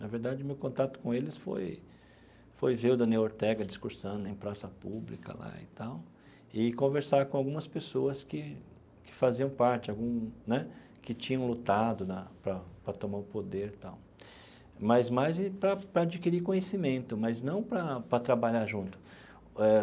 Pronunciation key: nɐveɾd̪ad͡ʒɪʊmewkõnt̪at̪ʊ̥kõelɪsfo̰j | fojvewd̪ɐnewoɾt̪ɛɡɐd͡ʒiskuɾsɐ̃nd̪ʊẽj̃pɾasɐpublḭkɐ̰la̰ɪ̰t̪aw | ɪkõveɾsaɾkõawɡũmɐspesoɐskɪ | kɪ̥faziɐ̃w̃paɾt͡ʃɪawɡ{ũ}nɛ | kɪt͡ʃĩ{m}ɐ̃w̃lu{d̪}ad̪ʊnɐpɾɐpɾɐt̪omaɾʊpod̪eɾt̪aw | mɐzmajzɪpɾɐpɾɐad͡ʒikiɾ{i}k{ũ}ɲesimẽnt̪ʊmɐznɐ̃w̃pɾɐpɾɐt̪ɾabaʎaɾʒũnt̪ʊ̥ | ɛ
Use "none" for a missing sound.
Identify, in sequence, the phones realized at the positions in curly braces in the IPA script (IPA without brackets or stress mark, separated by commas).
ũ, ɲ, t̪, i, õ